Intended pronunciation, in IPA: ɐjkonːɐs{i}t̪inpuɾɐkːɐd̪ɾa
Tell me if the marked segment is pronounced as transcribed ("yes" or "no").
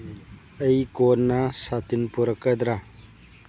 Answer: no